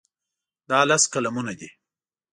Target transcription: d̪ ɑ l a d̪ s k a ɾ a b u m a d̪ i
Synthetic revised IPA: d̪ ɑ l a s k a l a m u n a d̪ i